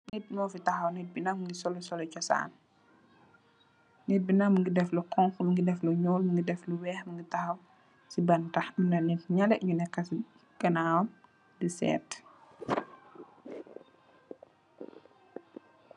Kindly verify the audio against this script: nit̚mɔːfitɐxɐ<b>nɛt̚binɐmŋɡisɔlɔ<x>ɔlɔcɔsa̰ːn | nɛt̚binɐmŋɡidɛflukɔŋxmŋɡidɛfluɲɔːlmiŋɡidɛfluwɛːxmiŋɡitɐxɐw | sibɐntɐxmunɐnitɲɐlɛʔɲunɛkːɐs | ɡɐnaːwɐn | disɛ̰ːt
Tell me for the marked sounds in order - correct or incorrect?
incorrect: w, incorrect: s

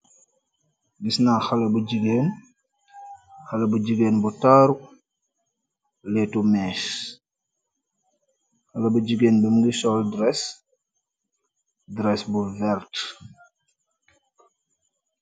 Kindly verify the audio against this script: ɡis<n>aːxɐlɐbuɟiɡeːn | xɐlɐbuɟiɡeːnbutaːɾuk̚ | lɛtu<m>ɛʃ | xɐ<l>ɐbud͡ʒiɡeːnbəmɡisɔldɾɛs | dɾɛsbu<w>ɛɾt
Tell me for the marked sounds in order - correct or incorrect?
correct, correct, correct, incorrect: v

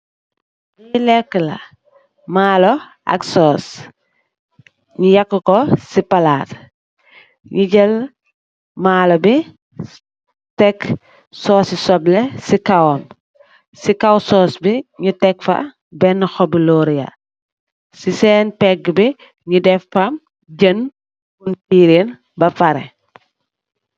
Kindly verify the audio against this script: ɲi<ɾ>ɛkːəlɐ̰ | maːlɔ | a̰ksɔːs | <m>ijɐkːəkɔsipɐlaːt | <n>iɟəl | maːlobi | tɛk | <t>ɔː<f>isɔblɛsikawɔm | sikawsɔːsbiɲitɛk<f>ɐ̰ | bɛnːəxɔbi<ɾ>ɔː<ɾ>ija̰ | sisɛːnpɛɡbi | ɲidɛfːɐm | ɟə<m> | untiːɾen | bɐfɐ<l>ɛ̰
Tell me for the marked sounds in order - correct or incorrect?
incorrect: l, incorrect: ɲ, incorrect: ɲ, incorrect: s, incorrect: s, correct, incorrect: l, correct, incorrect: n, incorrect: ɾ

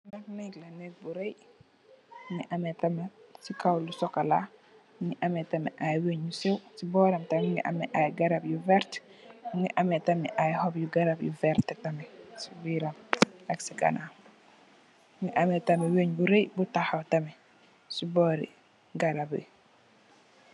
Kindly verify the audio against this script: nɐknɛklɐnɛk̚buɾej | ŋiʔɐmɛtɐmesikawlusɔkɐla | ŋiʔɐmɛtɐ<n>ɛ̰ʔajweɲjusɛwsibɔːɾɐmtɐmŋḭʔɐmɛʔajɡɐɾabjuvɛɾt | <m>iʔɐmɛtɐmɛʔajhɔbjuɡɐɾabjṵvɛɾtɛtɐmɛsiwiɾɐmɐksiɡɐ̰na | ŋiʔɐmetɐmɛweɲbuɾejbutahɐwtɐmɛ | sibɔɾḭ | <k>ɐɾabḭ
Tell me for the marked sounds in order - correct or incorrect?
incorrect: m, incorrect: ŋ, incorrect: ɡ

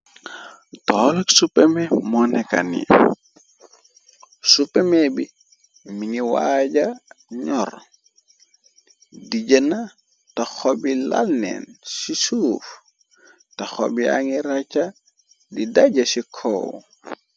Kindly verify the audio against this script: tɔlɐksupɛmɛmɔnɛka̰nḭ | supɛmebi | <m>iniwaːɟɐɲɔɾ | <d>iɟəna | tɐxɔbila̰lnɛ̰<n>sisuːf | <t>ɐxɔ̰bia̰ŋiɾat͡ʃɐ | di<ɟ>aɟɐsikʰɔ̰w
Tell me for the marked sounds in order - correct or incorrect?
correct, correct, correct, correct, incorrect: d

